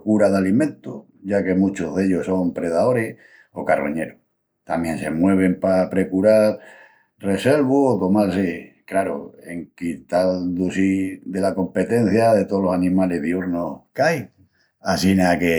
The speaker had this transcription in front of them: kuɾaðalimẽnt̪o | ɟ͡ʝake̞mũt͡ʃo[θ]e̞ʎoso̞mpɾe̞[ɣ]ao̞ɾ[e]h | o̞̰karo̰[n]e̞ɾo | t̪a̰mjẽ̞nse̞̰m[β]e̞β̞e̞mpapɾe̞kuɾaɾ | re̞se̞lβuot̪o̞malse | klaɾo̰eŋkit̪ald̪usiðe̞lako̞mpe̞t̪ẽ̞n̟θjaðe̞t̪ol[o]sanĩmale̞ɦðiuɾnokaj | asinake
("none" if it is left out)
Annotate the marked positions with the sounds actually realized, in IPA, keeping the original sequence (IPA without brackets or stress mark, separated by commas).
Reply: ð, ð, e, ɲ, w, o